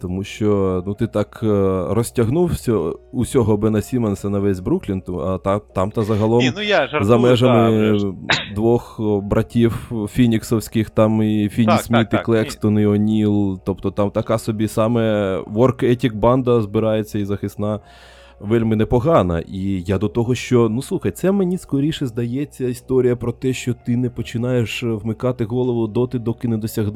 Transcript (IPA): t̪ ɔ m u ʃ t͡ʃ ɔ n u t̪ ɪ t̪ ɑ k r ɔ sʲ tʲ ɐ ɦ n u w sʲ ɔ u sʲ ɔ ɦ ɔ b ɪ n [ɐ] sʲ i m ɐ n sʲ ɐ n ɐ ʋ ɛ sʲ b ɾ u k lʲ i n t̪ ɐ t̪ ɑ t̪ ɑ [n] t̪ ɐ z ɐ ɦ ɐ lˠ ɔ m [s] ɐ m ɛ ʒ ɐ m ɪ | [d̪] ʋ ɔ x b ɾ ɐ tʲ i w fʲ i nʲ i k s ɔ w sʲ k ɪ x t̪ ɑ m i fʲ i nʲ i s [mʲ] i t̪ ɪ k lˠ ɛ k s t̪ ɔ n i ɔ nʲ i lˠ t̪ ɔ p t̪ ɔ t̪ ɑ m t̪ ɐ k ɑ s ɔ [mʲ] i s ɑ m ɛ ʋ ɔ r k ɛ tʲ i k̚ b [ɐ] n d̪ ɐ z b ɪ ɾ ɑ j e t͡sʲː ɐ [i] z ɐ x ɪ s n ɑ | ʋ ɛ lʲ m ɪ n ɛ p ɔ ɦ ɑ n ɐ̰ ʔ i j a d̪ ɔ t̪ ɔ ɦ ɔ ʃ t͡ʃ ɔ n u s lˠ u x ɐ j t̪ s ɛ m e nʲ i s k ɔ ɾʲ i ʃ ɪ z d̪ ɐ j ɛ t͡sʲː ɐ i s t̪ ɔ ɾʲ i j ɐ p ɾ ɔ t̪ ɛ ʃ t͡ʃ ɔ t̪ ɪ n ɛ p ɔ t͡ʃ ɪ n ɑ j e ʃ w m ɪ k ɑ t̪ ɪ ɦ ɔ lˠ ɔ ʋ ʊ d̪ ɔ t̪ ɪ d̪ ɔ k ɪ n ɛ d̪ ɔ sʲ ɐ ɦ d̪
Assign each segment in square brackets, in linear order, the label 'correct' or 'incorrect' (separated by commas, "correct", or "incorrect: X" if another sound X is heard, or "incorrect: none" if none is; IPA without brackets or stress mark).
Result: correct, incorrect: m, incorrect: z, correct, correct, incorrect: bʲ, incorrect: ɑ, correct